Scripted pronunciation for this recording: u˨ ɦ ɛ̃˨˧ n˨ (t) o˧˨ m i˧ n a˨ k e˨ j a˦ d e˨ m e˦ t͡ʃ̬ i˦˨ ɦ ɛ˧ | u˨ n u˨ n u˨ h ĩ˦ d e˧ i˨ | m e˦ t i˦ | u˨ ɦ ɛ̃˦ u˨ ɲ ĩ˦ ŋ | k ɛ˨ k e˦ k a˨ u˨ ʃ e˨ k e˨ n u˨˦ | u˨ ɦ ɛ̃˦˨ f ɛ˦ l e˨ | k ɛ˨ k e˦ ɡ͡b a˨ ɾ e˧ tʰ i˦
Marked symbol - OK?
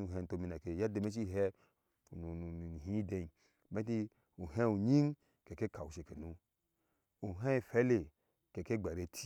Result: yes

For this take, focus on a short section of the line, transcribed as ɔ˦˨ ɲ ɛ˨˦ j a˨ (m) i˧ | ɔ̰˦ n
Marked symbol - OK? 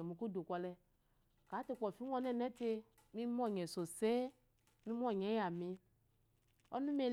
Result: yes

